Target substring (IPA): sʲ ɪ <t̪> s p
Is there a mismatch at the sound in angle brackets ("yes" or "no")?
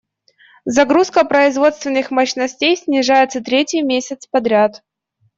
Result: no